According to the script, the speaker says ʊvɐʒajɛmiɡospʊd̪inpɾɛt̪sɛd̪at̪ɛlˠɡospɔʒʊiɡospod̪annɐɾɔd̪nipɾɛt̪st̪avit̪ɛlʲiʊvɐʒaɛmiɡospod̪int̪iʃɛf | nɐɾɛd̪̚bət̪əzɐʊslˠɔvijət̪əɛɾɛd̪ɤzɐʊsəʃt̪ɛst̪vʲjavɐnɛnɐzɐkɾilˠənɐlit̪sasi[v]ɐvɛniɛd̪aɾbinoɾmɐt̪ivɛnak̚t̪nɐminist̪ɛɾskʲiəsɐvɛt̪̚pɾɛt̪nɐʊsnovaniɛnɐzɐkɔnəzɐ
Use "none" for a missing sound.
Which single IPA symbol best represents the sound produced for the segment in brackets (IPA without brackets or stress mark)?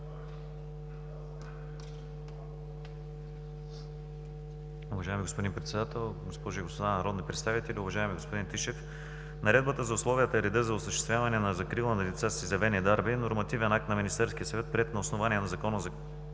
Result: z